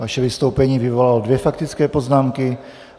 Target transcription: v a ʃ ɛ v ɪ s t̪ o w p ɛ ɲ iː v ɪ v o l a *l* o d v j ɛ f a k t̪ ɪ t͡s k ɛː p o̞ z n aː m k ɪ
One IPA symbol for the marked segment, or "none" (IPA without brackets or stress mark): l